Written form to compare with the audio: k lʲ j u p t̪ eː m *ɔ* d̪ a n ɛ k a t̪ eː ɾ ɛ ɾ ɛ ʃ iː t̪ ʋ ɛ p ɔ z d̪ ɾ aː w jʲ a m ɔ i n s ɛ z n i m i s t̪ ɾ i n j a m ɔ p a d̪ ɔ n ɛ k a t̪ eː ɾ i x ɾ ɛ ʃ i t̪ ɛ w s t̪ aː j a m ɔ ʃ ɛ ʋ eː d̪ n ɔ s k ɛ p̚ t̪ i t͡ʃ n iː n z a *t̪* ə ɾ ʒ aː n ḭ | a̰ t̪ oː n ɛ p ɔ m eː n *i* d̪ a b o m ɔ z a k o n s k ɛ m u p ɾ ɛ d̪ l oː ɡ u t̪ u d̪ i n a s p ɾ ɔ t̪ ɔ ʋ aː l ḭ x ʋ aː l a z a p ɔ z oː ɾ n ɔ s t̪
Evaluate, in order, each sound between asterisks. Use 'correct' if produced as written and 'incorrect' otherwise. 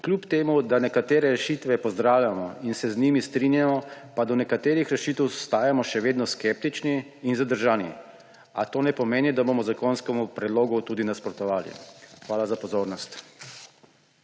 incorrect, incorrect, correct

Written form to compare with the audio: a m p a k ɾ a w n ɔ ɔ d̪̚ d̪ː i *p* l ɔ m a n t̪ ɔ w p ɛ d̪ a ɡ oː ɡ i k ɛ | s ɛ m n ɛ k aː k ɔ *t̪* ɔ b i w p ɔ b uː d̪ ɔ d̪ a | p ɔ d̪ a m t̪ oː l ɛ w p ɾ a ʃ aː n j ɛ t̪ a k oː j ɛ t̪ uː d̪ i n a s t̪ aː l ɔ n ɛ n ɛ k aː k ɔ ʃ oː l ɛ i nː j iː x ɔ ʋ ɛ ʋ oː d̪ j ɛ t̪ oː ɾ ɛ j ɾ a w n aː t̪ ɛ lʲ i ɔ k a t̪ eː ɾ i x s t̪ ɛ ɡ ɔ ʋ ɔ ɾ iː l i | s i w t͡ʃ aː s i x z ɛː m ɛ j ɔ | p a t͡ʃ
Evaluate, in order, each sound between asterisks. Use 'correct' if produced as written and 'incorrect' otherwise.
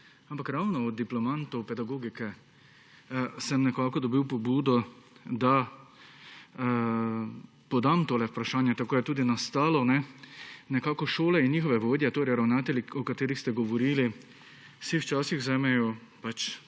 correct, incorrect

